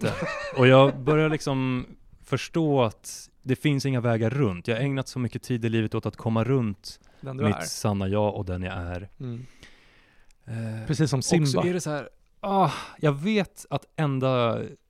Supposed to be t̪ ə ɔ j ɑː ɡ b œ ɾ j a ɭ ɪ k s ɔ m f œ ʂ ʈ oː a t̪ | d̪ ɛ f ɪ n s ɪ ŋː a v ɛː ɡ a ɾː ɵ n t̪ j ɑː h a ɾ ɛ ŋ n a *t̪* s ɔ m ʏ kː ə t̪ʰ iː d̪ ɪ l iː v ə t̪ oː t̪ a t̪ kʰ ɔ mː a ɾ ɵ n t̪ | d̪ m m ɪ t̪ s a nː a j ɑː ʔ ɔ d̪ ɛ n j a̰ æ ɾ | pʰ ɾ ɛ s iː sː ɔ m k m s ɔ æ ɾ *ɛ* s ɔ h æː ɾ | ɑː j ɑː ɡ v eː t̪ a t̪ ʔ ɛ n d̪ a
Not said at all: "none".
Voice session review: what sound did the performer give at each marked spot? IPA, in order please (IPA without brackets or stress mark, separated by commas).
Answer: t̪, ɛ